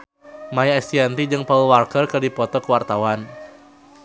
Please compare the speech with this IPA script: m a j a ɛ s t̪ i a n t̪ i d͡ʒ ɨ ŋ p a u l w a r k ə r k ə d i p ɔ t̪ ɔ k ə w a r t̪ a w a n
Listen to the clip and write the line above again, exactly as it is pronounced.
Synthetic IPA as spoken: m a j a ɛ s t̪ i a n t̪ i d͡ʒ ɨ ŋ p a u l w a r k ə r k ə d i p ɔ t̪ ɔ k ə w a r t̪ a w a n

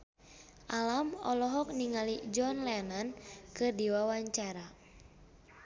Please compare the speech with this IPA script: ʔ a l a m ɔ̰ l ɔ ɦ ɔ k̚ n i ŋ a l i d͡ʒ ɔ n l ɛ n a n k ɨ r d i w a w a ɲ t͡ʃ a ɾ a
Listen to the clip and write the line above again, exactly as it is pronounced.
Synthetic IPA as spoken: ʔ a l a m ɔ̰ l ɔ ɦ ɔ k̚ n i ŋ a l i d͡ʒ ɔ n l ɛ n a n k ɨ r d i w a w a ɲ t͡ʃ a ɾ a

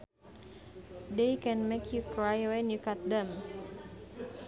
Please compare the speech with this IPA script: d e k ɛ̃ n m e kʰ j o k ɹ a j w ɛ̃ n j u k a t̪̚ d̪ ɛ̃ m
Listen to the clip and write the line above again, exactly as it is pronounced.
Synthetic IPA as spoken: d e k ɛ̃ n m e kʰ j u k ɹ a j w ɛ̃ n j u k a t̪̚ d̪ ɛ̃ m

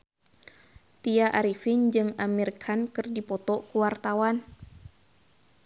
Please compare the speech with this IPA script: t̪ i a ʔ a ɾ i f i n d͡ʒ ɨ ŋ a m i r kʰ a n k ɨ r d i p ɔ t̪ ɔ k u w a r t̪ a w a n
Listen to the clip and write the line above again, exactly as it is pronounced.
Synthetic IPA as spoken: t̪ i a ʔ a ɾ i f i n d͡ʒ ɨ ŋ a m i r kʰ a n k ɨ r d i p ɔ t̪ ɔ k u w a r t̪ a w a n

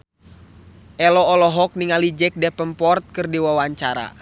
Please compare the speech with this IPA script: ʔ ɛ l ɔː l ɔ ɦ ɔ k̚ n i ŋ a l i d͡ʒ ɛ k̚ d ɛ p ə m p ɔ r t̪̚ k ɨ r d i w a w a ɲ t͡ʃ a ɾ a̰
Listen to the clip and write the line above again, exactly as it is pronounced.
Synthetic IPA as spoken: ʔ ɛ l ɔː l ɔ ɦ ɔ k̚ n i ŋ a l i d͡ʒ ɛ k̚ d ɛ p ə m p ɔ r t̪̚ k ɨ r d i w a w a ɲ t͡ʃ a ɾ a̰

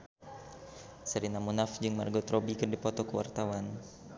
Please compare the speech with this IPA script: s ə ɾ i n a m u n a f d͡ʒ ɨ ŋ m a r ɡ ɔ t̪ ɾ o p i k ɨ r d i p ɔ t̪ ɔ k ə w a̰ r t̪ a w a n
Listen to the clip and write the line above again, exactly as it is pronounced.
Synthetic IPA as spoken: s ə ɾ i n a m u n a f d͡ʒ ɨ ŋ m a r ɡ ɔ t̪ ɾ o b i k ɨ r d i p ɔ t̪ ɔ k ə w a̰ r t̪ a w a n

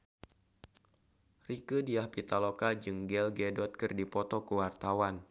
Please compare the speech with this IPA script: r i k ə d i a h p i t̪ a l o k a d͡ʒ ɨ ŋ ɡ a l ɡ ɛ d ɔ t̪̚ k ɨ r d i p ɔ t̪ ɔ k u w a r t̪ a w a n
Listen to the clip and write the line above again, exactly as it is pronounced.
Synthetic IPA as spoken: r i k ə d i a h p i t̪ a l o k a d͡ʒ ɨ ŋ ɡ ɛ l ɡ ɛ d ɔ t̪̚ k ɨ r d i p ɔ t̪ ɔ k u w a r t̪ a w a n

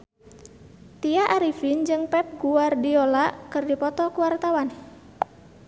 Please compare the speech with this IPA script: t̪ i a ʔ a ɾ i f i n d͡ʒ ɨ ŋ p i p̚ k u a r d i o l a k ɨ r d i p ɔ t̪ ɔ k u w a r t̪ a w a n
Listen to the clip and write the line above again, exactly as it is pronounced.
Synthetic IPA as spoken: t̪ i a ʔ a ɾ i f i n d͡ʒ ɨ ŋ p ɛ p̚ ɡ u a r d i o l a k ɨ r d i p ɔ t̪ ɔ k u w a r t̪ a w a n

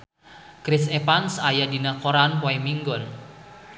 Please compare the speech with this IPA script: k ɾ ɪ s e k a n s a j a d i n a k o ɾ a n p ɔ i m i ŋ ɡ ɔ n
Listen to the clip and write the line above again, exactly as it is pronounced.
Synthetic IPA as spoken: k ɾ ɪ s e p a n s a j a d i n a k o ɾ a n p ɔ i m i ŋ ɡ ɔ n

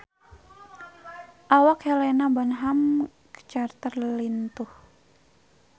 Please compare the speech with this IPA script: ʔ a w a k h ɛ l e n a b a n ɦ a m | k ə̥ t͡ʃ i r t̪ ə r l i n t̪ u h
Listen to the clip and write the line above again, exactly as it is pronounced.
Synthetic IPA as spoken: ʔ a w a k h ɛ l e n a b a n ɦ a m | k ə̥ t͡ʃ a r t̪ ə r l i n t̪ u h

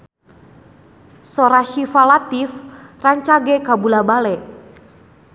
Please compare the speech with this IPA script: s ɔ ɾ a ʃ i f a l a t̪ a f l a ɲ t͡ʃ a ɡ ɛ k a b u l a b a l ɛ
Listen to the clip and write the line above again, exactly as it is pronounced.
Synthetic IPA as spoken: s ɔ ɾ a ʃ i f a l a t̪ i f r a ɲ t͡ʃ a ɡ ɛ k a b u l a b a l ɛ

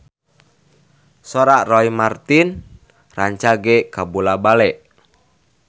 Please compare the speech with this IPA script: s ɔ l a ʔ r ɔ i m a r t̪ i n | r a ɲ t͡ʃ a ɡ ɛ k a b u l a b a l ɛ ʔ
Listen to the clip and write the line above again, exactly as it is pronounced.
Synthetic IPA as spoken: s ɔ ɾ a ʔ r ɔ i m a r t̪ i n | r a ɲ t͡ʃ a ɡ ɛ k a b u l a b a l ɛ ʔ

